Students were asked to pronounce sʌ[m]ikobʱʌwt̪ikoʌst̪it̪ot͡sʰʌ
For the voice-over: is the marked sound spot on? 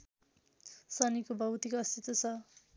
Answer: no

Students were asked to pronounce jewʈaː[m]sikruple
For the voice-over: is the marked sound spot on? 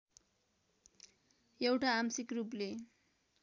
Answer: yes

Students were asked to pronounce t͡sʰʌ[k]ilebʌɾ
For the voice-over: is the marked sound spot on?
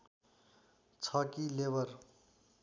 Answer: yes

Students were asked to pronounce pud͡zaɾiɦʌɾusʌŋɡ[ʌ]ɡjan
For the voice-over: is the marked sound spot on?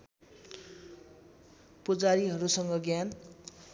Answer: yes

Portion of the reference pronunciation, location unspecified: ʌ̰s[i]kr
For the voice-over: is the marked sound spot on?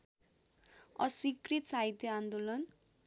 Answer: yes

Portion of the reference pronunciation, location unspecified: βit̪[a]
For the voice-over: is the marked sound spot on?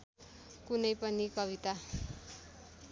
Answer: yes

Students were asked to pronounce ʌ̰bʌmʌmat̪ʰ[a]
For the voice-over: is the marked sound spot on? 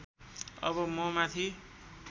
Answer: no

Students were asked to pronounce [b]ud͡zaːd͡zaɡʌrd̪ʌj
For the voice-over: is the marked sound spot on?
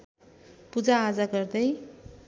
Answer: no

